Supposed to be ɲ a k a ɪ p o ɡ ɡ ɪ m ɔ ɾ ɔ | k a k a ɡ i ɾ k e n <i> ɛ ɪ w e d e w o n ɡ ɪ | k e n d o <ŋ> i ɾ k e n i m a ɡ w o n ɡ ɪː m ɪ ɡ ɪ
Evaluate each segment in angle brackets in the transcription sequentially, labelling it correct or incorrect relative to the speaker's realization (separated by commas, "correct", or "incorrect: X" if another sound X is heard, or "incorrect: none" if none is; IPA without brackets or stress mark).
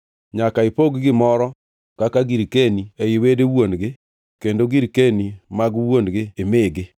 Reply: correct, incorrect: ɡ